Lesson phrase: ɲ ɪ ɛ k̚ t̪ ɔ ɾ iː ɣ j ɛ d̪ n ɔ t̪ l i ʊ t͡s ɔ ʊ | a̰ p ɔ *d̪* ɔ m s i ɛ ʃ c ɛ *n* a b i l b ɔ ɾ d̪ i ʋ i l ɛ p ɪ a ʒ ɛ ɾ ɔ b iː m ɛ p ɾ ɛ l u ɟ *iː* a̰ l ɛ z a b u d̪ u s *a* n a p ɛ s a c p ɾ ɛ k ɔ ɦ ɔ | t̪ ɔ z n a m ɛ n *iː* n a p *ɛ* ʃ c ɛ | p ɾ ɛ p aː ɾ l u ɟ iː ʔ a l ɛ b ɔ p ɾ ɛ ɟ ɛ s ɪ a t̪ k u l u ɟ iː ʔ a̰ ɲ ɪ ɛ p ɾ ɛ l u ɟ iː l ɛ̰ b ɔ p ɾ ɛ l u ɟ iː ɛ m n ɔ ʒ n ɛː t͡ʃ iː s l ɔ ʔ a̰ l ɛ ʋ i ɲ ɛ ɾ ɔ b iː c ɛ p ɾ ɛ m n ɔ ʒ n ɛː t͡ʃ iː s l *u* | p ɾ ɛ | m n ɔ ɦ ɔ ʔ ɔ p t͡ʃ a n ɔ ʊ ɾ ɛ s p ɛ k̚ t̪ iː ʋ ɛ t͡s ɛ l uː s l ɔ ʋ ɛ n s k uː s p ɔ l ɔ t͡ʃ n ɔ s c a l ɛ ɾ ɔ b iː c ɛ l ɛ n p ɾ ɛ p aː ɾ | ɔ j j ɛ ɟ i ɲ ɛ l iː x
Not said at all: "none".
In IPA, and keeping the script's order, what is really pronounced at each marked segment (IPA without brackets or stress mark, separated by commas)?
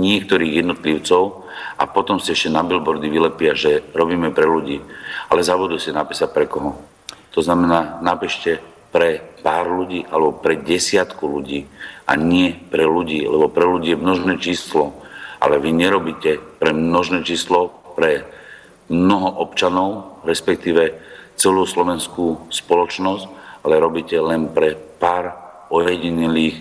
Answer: t̪, n, iː, ɛ, aː, ɛ, ɔ